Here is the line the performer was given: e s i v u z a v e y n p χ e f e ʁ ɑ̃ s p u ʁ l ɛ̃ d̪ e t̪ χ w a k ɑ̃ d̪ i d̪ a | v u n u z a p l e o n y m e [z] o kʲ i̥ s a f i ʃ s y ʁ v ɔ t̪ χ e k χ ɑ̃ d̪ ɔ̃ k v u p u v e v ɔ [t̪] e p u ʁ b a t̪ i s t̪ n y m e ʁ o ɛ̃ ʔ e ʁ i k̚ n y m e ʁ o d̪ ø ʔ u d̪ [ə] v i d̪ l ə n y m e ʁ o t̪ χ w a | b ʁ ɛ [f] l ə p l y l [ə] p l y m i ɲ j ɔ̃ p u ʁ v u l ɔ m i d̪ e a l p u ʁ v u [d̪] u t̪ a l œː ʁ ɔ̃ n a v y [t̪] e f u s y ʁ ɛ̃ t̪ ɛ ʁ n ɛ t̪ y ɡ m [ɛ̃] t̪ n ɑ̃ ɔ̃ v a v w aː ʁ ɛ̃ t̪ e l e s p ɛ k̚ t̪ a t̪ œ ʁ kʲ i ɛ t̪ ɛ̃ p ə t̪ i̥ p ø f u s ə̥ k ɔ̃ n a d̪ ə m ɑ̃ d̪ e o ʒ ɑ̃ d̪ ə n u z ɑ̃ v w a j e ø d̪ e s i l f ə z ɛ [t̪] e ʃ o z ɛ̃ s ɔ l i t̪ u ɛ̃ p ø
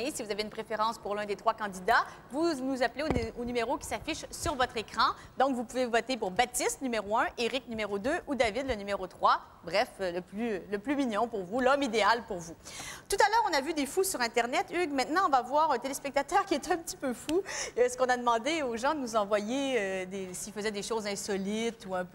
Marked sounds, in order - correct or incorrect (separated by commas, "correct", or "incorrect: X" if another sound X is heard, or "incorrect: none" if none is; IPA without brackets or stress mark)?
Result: incorrect: ʁ, correct, incorrect: a, correct, correct, incorrect: t̪, incorrect: d̪, correct, incorrect: d̪